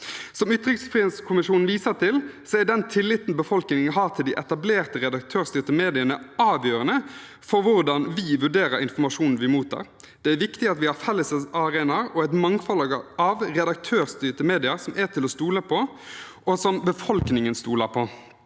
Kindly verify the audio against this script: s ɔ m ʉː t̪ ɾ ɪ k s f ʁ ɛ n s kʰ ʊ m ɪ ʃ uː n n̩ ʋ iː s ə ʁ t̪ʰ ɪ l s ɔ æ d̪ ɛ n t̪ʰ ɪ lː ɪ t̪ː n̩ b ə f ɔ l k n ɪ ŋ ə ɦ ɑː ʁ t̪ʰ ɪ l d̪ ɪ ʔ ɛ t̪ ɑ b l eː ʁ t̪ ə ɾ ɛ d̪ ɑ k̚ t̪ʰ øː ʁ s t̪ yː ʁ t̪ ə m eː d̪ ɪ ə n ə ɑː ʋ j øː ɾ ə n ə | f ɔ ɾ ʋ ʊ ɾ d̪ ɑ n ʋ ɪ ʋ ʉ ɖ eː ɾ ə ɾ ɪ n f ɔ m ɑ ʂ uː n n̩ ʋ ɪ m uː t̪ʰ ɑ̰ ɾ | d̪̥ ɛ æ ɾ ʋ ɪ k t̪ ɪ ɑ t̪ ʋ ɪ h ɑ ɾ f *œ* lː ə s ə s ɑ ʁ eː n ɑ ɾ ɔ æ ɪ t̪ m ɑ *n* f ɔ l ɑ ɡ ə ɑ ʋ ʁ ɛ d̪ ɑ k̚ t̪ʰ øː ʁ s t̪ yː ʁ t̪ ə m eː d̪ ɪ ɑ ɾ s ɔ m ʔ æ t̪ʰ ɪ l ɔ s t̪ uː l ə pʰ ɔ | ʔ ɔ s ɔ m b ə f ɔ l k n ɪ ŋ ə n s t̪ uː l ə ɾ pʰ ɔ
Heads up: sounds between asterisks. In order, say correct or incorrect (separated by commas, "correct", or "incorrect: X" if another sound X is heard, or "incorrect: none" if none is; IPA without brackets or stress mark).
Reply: incorrect: ɛ, incorrect: ŋ